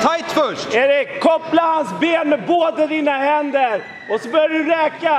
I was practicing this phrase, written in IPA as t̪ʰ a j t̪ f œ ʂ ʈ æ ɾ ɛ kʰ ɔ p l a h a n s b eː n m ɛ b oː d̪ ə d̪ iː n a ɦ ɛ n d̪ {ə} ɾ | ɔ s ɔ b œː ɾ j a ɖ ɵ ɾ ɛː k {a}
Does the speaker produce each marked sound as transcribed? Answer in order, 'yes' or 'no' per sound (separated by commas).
yes, yes